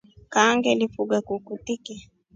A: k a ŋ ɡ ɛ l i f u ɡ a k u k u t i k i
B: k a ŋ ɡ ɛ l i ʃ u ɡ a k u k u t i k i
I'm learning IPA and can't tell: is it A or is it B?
A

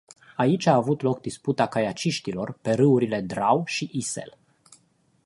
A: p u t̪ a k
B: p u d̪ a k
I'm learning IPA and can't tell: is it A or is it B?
A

